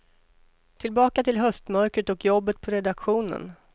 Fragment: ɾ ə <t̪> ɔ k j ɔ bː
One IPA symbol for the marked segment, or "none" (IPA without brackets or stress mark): t̪